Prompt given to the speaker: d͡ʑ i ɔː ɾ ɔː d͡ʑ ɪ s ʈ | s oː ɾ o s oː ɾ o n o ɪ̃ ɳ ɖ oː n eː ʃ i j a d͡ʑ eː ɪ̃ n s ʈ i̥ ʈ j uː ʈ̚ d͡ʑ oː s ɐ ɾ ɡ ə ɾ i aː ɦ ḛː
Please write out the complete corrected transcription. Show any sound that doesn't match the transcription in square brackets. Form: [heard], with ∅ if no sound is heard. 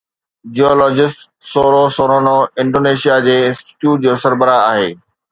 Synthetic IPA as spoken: d͡ʑ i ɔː [l] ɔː d͡ʑ ɪ s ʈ | s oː ɾ o s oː ɾ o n o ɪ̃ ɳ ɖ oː n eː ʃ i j a d͡ʑ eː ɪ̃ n s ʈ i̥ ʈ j uː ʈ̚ d͡ʑ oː s ɐ ɾ [b] ə ɾ [a] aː ɦ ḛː